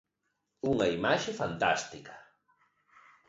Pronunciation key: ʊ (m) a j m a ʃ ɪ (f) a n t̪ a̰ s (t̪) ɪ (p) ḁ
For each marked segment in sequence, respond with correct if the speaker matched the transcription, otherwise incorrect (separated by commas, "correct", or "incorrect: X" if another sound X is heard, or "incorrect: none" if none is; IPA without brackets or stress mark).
incorrect: ŋ, correct, correct, incorrect: k